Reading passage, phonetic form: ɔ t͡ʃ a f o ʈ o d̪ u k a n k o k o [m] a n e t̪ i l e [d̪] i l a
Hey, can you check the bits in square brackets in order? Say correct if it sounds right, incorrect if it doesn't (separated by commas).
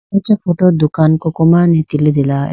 correct, correct